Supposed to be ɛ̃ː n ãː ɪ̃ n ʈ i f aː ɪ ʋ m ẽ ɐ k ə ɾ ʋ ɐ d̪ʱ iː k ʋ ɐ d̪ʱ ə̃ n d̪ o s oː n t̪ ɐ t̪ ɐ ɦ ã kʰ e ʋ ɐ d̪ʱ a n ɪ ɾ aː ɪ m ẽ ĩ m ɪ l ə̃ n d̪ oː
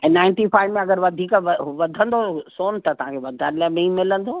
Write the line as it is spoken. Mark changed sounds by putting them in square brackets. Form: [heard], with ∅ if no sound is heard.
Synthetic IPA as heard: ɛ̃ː n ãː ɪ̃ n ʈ i f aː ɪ ʋ m ẽ ɐ [ɡ] ə ɾ ʋ ɐ d̪ʱ iː k ʋ ɐ d̪ʱ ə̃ n d̪ o s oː n t̪ ɐ t̪ ɐ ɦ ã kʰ e ʋ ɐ d̪ʱ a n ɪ [l] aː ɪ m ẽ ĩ m ɪ l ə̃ n d̪ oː